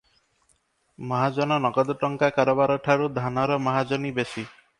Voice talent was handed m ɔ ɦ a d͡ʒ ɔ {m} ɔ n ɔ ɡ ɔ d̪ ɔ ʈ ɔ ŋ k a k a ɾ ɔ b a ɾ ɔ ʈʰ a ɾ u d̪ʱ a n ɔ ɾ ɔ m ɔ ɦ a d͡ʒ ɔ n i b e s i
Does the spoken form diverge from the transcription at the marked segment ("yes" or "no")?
yes